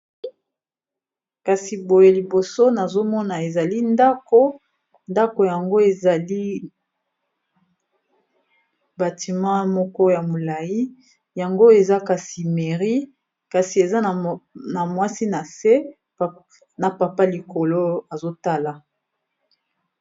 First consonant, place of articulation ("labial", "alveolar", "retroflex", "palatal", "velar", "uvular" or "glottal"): velar